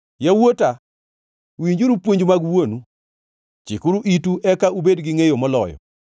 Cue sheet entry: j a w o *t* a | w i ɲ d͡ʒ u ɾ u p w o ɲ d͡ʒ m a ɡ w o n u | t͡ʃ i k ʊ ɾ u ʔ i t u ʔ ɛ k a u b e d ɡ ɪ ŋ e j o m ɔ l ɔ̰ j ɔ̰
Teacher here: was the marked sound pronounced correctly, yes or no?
yes